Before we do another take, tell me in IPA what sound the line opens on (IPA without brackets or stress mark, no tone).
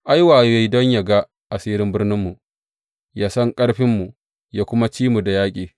ʔ